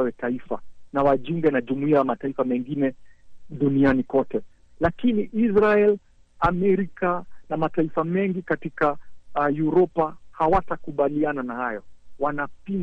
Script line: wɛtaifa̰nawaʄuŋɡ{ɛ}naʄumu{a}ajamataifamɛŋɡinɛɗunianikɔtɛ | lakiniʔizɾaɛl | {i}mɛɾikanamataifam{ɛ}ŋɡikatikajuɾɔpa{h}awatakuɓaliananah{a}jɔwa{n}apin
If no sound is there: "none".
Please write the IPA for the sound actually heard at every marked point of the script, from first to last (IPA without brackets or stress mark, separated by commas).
ɛ, i, a, ɛ, h, a, n